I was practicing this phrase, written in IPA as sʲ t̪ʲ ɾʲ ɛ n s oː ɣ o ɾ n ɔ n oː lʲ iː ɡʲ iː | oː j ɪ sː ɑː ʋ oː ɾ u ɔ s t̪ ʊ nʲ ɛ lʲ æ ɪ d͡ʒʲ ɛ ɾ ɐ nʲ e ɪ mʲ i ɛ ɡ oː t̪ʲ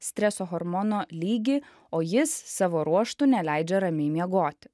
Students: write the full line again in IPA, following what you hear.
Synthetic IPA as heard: sʲ t̪ʲ ɾʲ ɛ s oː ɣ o ɾ m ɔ n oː lʲ iː ɡʲ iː | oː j ɪ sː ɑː ʋ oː ɾ u ɔ ʃ t̪ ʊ nʲ ɛ lʲ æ ɪ d͡ʒʲ ɛ ɾ ɐ mʲ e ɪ mʲ i ɛ ɡ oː t̪ʲ